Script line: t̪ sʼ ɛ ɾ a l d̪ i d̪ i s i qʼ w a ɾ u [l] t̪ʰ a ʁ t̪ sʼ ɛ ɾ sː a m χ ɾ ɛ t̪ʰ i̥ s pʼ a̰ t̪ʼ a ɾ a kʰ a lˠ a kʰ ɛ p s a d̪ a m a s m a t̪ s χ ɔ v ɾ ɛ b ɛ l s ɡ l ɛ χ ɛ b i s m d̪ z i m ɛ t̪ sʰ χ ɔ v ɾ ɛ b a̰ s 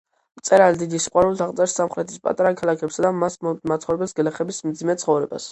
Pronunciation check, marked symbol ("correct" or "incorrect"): correct